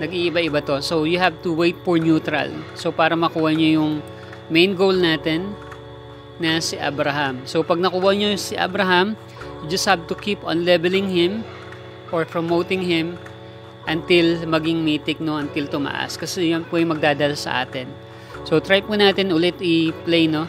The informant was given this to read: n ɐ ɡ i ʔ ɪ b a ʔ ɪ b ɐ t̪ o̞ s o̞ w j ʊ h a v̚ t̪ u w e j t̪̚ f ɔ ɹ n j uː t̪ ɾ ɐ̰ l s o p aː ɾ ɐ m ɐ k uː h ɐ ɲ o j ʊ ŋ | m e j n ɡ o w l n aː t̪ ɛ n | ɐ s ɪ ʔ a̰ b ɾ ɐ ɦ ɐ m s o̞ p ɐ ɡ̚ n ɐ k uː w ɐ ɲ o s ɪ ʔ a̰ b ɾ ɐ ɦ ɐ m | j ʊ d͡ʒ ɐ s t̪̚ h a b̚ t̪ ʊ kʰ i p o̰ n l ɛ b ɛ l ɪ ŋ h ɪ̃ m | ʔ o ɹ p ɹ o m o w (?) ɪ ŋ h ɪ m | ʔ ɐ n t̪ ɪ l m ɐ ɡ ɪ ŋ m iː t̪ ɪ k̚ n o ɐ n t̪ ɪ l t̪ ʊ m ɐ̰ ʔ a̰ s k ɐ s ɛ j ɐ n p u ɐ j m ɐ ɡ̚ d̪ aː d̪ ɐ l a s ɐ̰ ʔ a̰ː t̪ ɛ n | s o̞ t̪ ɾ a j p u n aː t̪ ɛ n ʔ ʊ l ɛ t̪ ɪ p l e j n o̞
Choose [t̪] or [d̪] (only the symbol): t̪